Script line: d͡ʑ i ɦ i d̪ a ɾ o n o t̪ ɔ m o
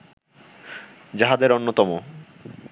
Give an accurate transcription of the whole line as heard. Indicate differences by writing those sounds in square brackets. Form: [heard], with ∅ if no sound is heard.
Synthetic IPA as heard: d͡ʑ [a] ɦ [a] d̪ [e] ɾ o [nː] o t̪ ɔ m o